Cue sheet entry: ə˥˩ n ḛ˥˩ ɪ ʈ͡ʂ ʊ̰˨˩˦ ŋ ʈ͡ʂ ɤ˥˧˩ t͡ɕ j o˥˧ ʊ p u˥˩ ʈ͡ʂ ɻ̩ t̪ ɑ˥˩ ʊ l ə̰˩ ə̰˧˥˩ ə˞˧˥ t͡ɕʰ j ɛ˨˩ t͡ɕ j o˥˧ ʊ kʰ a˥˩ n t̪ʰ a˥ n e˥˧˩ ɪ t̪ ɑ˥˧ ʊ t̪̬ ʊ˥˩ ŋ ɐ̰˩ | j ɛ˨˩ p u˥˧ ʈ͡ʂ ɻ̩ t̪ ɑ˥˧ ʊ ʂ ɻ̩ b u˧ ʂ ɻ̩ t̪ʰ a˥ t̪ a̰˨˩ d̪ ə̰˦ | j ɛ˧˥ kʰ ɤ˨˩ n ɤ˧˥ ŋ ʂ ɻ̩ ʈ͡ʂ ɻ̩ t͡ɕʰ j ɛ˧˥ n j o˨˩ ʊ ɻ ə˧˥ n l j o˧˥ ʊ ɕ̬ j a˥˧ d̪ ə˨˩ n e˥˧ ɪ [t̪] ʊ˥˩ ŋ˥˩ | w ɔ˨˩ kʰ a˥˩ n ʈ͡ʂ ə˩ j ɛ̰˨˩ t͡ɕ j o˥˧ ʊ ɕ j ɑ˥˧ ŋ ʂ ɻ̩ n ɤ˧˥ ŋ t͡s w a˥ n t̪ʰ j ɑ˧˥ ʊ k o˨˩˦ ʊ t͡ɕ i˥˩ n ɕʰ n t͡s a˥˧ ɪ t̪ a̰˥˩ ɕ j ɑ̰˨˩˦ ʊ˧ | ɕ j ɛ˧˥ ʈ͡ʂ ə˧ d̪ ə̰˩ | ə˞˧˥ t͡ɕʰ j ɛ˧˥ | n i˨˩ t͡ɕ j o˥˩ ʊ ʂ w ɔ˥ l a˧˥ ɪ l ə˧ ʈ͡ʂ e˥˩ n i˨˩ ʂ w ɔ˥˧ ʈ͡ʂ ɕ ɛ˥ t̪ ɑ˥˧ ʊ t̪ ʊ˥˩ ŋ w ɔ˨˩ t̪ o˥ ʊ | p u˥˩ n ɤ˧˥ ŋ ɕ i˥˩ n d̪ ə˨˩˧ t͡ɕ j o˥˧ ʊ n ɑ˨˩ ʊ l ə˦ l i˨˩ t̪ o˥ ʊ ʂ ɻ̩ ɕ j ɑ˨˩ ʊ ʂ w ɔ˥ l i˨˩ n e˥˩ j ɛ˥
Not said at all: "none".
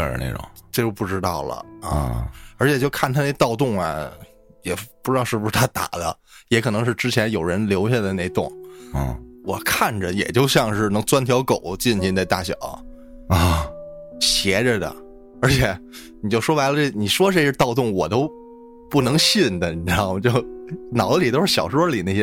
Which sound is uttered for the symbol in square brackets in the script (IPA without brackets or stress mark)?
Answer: t̪